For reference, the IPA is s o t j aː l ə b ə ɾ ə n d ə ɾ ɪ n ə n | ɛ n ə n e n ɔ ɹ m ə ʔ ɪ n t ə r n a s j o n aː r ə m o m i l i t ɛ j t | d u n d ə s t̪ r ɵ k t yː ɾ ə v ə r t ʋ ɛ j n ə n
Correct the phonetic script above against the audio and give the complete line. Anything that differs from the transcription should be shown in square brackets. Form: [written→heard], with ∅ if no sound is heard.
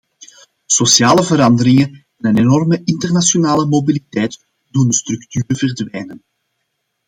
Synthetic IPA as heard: s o [t→s] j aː l ə [b→v] ə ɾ [ə→ɑ] n d ə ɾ ɪ [n→ŋ] ə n | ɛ n ə n e n ɔ [ɹ→r] m ə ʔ ɪ n t ə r n a s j o n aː [r→l] ə m o [m→b] i l i t ɛ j t | d u n d ə s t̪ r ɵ k t yː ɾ ə v ə r [t→d] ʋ ɛ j n ə n